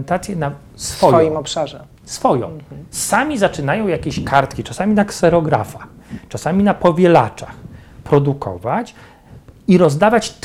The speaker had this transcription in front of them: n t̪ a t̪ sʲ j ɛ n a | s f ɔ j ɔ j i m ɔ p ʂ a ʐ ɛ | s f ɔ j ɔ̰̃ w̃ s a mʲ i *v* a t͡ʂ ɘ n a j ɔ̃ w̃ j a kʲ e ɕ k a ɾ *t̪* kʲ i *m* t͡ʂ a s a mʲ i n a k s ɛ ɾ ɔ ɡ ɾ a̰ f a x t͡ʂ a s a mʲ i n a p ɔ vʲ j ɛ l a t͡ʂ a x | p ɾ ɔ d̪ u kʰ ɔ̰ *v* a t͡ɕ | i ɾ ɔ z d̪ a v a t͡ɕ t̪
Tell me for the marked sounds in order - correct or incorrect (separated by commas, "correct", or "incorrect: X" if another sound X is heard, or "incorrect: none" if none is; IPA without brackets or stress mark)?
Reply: incorrect: z, correct, incorrect: none, correct